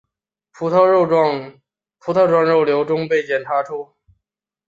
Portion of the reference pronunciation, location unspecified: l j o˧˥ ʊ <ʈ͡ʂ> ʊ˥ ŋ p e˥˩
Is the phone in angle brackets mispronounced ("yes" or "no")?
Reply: no